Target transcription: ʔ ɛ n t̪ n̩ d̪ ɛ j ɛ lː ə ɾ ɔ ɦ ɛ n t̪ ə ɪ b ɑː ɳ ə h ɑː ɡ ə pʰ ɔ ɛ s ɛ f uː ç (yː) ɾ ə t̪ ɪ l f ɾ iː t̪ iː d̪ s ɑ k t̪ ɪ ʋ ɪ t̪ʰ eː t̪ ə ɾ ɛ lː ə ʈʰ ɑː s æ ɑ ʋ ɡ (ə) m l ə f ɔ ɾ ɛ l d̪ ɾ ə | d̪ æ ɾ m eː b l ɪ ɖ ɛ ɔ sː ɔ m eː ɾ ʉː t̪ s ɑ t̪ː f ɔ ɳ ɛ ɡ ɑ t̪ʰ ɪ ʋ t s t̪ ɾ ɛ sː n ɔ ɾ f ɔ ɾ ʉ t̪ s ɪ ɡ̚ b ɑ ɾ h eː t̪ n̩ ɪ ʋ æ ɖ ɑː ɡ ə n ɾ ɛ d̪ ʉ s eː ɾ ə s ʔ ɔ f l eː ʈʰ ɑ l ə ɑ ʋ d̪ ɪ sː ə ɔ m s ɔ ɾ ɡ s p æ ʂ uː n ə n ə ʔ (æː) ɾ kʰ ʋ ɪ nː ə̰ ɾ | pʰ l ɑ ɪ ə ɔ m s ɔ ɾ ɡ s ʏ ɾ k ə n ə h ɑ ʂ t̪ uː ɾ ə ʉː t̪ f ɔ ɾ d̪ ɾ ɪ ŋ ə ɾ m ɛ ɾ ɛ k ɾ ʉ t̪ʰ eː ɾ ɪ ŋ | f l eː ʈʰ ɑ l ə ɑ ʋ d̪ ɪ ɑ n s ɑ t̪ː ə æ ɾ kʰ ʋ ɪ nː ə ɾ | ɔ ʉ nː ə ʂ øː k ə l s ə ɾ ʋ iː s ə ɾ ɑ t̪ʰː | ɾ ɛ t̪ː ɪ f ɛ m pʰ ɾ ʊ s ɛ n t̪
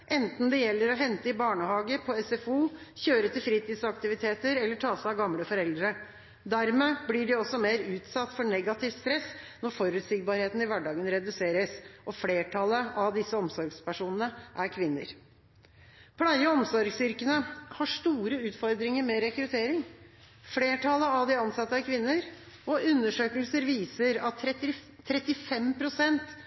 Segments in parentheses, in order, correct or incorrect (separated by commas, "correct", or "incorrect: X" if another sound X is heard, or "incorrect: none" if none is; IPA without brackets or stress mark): incorrect: øː, incorrect: ɑ, incorrect: æ